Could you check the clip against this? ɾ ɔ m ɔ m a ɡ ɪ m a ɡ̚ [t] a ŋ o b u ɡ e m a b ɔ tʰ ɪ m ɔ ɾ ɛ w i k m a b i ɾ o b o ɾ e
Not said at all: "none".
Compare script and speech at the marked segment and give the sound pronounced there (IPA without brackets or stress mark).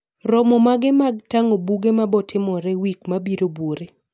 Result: t